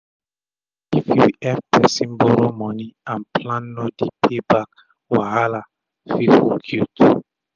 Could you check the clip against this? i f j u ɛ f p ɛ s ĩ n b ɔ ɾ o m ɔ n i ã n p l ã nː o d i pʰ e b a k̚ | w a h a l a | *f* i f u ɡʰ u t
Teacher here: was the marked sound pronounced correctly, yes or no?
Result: yes